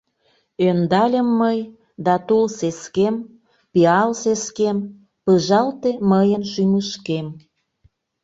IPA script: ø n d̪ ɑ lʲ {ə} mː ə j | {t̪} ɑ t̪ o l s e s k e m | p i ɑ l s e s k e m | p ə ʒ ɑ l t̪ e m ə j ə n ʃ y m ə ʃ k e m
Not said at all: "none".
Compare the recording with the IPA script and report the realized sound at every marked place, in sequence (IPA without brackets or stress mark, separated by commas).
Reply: ə, d̪